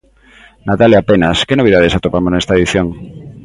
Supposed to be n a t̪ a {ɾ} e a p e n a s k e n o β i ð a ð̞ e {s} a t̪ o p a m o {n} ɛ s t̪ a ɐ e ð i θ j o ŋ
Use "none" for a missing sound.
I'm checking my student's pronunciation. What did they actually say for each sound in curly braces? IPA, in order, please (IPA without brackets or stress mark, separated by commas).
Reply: l, s, n